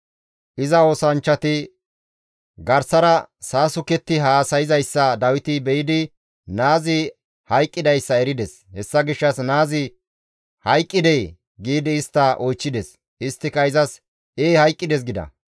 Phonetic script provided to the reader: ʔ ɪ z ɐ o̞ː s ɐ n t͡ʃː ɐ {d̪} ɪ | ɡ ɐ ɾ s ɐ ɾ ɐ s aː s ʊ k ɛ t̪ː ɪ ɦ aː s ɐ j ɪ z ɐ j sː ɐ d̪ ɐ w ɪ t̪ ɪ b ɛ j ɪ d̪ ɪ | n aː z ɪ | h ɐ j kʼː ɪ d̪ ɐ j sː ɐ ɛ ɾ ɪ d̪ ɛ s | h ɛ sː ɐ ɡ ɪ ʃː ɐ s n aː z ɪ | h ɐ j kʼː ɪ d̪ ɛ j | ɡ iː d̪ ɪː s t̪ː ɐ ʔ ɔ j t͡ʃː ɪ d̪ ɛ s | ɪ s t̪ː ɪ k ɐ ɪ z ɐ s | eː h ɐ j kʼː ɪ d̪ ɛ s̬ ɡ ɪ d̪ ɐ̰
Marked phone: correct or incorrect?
incorrect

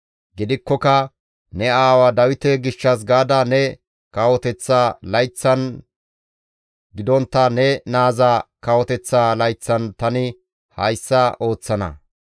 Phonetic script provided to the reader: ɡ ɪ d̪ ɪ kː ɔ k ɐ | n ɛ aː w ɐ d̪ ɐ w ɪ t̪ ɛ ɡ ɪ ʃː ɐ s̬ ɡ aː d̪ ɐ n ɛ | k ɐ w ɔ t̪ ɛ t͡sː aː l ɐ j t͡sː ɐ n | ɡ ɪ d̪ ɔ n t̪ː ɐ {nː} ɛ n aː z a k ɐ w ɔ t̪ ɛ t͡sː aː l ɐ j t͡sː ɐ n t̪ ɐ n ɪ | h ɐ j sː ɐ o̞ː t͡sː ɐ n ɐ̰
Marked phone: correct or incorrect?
incorrect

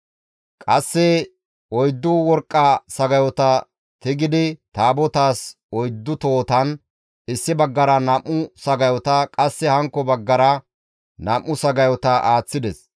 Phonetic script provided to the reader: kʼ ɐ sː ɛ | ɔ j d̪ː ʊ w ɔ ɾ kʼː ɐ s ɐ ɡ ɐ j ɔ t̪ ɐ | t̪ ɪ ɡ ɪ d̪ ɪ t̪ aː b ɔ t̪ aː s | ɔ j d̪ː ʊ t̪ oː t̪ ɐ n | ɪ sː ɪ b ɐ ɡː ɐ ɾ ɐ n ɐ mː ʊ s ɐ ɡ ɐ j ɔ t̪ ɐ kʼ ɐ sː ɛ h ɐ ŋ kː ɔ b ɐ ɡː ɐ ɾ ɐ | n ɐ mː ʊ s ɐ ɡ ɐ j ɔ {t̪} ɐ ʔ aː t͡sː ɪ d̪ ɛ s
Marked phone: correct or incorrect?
correct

